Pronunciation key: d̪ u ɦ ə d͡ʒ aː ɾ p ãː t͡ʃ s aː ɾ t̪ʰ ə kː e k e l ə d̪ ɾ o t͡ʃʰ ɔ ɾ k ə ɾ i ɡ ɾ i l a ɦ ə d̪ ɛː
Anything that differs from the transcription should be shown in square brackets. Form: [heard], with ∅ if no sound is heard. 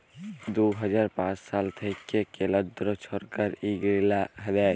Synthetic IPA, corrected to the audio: d̪ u ɦ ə d͡ʒ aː ɾ p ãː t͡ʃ s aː [l] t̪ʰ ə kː e k e l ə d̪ ɾ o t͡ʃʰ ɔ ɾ k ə ɾ i ɡ ɾ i l a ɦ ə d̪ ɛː